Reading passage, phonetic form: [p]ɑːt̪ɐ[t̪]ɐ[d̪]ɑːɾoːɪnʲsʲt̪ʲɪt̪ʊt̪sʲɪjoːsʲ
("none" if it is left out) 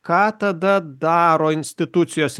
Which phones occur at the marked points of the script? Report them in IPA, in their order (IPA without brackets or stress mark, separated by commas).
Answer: k, d̪, d̪